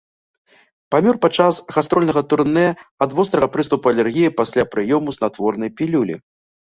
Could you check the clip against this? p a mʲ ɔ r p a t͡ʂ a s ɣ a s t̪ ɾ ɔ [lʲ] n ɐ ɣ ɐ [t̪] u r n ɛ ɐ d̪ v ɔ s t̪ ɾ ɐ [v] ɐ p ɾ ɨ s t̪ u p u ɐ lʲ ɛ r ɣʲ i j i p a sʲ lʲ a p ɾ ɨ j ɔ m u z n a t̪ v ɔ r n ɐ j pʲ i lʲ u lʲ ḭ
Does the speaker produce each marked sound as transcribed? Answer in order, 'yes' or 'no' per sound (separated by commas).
yes, yes, no